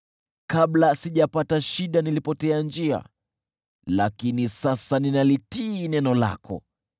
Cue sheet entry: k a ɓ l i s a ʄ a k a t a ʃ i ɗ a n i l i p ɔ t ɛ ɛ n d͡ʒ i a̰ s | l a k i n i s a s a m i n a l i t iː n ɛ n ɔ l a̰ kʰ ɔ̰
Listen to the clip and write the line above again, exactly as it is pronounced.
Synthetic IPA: k a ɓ l a s i ʄ a p a t a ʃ i ɗ a n i l i p ɔ t ɛ a n d͡ʒ i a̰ | l a k i n i s a s a n i n a l i t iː n ɛ n ɔ l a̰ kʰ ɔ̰